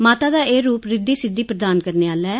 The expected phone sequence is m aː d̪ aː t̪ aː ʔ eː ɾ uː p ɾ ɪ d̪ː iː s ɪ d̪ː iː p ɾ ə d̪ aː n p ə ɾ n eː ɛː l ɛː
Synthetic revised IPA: m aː t̪ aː d̪ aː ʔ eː ɾ uː p ɾ ɪ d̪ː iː s ɪ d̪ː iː p ɾ ə d̪ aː n k ə ɾ n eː aː l ɛː